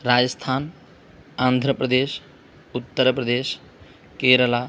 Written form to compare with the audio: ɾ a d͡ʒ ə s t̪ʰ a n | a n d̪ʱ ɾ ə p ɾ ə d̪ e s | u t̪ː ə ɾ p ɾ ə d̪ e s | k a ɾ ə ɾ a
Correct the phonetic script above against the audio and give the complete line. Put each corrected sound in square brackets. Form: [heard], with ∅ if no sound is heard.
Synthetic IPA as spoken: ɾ a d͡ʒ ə s t̪ʰ a n | a n d̪ʱ ɾ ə p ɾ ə d̪ e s | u t̪ː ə ɾ p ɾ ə d̪ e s | k [e] ɾ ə [l] a